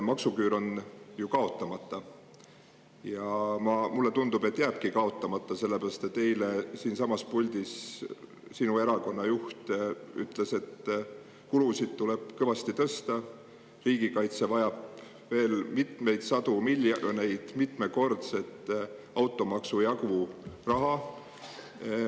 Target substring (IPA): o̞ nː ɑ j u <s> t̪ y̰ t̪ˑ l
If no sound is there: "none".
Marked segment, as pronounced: h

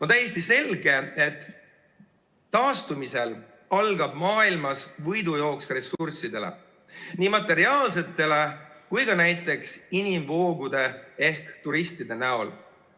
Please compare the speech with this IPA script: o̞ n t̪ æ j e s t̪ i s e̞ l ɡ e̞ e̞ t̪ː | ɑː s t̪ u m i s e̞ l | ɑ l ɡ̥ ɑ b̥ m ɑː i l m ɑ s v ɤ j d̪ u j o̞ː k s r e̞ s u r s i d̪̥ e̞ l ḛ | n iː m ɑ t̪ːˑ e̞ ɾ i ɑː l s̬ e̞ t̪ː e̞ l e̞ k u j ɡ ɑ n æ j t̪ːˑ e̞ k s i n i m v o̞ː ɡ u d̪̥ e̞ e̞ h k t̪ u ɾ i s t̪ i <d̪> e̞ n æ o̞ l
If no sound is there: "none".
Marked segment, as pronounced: d̪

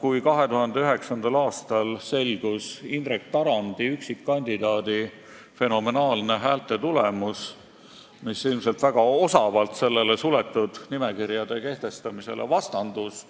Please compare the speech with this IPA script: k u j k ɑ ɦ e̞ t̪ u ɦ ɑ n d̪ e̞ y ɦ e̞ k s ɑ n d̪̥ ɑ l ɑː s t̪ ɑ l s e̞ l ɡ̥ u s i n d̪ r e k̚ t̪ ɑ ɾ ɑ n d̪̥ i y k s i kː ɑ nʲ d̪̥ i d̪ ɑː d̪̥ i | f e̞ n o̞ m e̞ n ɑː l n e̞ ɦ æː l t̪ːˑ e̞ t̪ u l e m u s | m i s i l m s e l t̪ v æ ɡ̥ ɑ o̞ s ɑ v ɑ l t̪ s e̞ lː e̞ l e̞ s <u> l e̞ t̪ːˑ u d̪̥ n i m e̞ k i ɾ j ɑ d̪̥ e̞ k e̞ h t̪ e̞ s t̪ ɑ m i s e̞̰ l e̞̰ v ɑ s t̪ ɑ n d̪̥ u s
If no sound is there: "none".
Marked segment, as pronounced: u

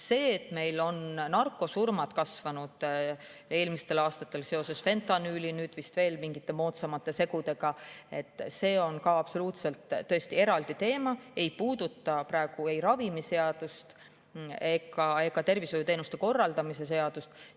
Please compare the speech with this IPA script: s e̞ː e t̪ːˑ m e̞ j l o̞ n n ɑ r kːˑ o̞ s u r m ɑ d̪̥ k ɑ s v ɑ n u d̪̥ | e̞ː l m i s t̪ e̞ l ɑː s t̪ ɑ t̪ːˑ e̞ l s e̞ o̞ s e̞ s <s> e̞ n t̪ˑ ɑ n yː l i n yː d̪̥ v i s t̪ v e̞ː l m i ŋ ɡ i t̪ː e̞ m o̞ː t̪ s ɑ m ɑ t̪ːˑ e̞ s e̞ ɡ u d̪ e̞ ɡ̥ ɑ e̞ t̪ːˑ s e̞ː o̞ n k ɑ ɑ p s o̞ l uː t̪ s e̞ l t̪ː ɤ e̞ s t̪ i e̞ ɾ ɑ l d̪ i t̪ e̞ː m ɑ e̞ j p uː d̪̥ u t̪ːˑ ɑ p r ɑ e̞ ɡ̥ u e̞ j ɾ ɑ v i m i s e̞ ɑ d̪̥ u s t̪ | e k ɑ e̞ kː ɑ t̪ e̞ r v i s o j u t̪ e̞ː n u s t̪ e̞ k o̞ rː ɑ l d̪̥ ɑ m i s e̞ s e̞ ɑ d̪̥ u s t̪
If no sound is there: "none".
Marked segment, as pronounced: f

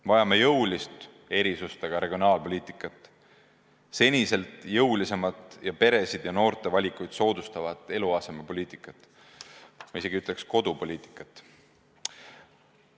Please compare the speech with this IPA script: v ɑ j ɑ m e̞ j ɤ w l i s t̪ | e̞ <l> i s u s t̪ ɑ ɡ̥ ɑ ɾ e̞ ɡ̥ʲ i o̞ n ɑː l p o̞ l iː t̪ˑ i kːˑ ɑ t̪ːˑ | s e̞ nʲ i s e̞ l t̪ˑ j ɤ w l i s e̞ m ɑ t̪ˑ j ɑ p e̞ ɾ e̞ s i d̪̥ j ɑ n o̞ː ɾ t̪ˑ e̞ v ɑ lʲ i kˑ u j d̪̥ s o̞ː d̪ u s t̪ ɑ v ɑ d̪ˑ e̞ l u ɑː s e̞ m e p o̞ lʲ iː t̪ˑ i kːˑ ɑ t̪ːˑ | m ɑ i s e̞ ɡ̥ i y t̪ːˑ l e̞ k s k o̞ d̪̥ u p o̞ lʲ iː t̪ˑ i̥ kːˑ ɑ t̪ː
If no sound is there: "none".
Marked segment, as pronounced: ɾ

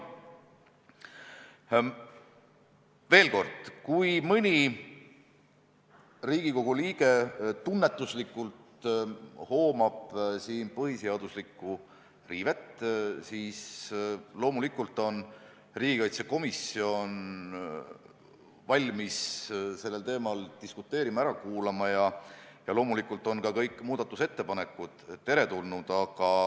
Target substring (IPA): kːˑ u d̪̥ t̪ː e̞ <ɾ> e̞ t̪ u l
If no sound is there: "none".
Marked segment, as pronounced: ɾ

